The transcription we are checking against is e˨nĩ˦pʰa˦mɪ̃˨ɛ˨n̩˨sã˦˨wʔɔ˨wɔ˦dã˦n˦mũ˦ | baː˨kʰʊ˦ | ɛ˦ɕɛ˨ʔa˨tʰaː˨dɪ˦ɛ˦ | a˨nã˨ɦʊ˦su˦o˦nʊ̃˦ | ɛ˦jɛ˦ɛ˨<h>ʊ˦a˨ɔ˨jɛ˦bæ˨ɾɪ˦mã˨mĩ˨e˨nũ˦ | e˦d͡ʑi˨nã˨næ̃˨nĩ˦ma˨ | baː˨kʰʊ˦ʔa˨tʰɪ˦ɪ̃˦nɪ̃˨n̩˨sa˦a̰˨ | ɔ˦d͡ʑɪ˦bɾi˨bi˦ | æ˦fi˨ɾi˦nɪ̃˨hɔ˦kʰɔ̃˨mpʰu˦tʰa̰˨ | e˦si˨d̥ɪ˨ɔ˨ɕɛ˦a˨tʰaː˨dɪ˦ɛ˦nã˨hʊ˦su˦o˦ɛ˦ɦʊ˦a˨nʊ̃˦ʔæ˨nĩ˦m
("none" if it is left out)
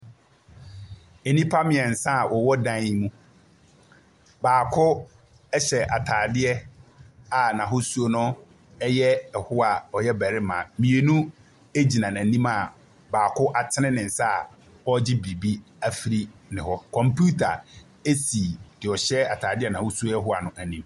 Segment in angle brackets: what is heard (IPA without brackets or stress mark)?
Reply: h